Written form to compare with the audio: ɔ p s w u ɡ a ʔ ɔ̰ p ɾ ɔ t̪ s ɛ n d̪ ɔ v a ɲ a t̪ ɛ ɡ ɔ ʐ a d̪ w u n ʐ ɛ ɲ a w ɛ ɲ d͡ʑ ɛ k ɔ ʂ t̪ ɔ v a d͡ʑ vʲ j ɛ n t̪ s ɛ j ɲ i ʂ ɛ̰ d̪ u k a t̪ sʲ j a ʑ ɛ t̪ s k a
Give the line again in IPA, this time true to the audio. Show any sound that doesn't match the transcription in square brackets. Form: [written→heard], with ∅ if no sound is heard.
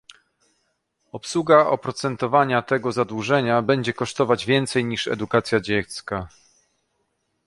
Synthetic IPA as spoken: ɔ p s w u ɡ a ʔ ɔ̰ p ɾ ɔ t̪ s ɛ n [d̪→t̪] ɔ v a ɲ a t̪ ɛ ɡ ɔ [ʐ→z] a d̪ w u [n→∅] ʐ ɛ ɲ a [w→b] ɛ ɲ d͡ʑ ɛ k ɔ ʂ t̪ ɔ v a d͡ʑ vʲ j ɛ n t̪ s ɛ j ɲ i ʂ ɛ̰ d̪ u k a t̪ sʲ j a [ʑ→d͡ʑ] ɛ t̪ s k a